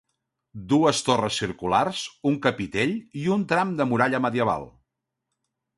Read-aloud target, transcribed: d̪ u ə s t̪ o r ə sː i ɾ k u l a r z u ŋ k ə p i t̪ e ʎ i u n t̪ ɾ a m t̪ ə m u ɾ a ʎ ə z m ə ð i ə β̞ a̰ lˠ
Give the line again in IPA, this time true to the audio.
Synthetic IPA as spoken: d̪ u ə s t̪ o r ə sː i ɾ k u l a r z u ŋ k ə p i t̪ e ʎ i u n t̪ ɾ a m d̪ ə m u ɾ a ʎ ə m ə ð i ə β̞ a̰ lˠ